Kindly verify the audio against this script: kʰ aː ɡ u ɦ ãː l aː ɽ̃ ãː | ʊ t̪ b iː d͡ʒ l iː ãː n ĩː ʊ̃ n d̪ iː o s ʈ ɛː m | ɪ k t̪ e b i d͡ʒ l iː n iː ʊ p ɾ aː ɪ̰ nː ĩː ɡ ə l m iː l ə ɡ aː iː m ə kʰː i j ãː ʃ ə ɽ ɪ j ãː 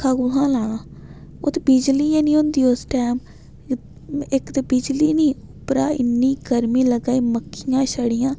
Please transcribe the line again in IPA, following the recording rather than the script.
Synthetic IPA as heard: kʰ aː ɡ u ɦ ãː l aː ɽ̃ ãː | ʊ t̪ b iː d͡ʒ l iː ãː n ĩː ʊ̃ n d̪ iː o s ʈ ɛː m | ɪ k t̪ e b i d͡ʒ l iː n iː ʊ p ɾ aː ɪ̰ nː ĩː ɡ ə ɾ m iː l ə ɡ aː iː m ə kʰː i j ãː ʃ ə ɽ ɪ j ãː